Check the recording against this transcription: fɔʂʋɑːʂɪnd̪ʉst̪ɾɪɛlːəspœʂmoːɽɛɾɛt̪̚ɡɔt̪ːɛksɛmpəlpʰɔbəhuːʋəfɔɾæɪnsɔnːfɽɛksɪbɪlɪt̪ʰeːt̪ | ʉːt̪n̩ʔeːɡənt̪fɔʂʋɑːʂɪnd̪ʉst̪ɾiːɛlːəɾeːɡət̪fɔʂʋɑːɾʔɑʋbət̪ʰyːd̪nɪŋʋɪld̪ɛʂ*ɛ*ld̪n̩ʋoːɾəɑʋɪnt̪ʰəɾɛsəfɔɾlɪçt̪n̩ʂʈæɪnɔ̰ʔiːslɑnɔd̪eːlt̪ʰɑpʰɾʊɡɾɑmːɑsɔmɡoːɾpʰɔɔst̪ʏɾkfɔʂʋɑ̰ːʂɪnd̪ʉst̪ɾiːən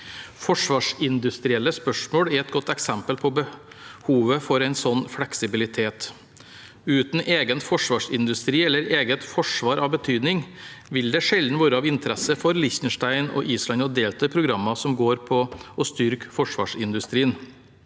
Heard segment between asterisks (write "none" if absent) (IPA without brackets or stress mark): ɛ